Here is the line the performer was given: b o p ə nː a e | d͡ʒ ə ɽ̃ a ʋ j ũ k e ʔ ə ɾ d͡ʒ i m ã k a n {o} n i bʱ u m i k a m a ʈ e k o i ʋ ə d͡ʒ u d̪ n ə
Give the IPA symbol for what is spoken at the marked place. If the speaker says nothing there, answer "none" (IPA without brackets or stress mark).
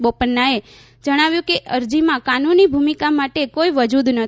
u